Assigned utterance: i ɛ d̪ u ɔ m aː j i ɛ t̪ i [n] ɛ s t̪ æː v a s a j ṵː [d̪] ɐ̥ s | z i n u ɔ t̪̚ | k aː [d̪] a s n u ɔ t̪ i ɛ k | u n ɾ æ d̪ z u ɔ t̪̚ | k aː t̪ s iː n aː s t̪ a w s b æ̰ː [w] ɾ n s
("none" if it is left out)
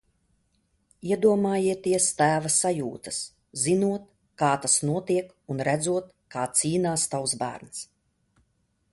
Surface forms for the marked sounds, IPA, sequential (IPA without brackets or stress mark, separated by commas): none, t̪, t̪, none